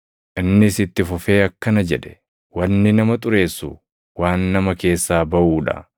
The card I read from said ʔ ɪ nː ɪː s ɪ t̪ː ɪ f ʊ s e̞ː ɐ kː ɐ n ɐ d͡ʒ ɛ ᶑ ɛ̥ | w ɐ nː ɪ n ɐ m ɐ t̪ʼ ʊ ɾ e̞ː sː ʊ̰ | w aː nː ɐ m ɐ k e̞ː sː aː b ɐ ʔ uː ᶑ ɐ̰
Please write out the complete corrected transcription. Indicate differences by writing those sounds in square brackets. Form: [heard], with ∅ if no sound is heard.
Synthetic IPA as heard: ʔ ɪ nː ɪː s ɪ t̪ː ɪ f ʊ [f] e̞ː ɐ kː ɐ n ɐ d͡ʒ ɛ ᶑ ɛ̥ | w ɐ nː ɪ n ɐ m ɐ t̪ʼ ʊ ɾ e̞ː sː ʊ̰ | w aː nː ɐ m ɐ k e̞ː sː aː b ɐ ʔ uː ᶑ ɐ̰